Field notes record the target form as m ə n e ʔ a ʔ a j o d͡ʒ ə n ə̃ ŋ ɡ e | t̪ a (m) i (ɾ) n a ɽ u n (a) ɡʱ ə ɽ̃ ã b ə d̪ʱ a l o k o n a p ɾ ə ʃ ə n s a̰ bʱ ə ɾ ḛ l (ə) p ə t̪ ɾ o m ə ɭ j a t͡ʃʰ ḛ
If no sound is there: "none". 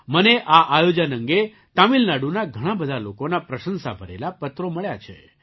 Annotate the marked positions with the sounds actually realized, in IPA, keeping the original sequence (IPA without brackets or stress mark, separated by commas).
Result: m, l, a, a